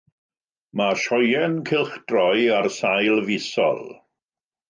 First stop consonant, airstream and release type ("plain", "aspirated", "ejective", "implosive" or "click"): aspirated